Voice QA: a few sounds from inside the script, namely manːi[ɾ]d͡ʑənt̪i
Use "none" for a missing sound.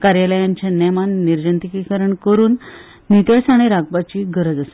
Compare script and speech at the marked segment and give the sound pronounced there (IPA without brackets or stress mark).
ɾ